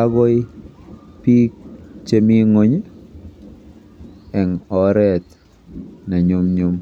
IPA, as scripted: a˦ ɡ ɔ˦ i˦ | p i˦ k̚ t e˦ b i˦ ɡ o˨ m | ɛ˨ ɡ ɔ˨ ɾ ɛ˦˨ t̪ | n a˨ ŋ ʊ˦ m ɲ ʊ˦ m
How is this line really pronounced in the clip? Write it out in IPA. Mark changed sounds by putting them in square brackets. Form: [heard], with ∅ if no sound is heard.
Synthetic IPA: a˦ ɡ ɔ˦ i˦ | p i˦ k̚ [t͡ʃ] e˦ [m] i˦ [ŋ] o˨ [ɲ] | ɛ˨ [ŋ] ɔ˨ ɾ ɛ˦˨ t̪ | n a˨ [ɲ] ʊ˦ m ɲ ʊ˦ m